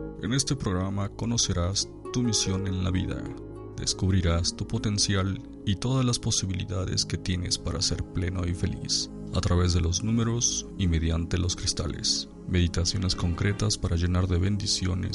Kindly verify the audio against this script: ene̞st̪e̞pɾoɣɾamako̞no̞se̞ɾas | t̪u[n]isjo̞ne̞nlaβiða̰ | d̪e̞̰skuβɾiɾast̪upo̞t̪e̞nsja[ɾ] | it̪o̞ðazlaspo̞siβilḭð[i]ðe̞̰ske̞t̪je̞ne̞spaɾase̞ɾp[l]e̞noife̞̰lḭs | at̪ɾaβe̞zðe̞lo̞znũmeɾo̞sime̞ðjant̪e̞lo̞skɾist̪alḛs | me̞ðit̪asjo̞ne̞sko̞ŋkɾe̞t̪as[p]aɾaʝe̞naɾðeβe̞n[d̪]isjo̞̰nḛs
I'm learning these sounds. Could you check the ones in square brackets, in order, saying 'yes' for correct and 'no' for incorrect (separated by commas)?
no, no, no, yes, yes, yes